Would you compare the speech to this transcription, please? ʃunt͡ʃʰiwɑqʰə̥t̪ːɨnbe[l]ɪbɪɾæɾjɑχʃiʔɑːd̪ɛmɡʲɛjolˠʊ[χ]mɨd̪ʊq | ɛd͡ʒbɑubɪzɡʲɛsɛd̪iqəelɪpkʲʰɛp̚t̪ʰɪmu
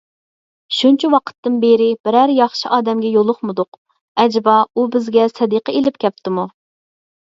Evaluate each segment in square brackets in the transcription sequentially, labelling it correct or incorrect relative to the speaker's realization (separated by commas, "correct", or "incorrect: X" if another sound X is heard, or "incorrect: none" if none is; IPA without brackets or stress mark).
incorrect: ɾ, correct